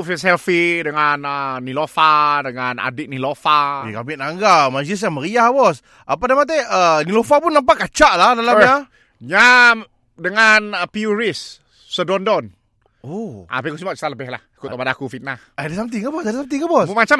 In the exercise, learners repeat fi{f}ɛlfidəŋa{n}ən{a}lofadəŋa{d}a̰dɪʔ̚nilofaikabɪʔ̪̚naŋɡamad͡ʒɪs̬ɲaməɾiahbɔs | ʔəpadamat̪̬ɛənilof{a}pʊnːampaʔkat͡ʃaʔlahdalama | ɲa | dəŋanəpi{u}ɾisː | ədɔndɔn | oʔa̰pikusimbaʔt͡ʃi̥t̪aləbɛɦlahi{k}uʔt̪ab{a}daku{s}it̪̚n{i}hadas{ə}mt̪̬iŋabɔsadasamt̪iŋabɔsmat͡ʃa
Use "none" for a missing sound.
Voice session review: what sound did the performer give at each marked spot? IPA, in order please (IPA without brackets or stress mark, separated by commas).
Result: s, n, i, n, a, u, k, a, f, a, a